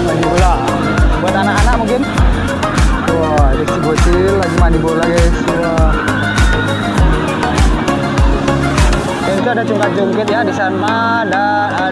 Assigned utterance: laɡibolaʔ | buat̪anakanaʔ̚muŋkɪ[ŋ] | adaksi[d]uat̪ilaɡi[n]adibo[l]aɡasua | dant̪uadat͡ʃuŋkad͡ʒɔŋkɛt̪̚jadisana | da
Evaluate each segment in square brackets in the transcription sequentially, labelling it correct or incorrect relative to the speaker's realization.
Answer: incorrect: n, incorrect: b, incorrect: m, correct

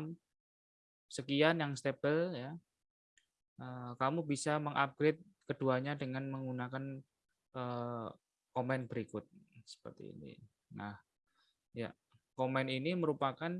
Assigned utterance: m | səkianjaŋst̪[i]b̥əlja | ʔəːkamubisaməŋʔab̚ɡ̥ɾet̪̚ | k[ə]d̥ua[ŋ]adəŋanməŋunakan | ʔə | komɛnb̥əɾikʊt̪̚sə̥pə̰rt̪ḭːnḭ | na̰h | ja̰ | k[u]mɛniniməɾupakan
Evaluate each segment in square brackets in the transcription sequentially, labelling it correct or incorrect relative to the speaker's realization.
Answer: incorrect: e, correct, incorrect: ɲ, incorrect: o

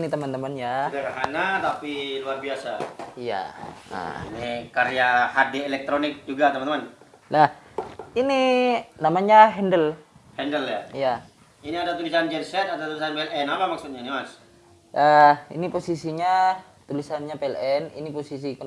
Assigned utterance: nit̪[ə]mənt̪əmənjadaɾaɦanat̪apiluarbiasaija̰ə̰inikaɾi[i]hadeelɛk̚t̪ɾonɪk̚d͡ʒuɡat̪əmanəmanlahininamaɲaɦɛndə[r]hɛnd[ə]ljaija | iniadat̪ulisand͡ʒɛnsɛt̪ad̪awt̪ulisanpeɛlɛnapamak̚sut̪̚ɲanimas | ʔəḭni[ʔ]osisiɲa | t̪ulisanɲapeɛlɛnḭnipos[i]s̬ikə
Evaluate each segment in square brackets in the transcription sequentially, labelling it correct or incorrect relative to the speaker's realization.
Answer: correct, incorrect: a, incorrect: l, correct, incorrect: p, correct

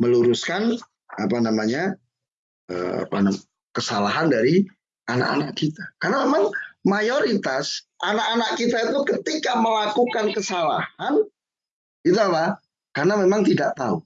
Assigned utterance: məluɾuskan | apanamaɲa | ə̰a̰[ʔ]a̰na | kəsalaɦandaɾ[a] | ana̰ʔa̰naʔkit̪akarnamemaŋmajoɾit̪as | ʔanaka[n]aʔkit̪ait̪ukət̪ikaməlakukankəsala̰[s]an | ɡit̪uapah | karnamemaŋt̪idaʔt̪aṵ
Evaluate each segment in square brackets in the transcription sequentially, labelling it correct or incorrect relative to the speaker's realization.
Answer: incorrect: p, incorrect: i, correct, incorrect: h

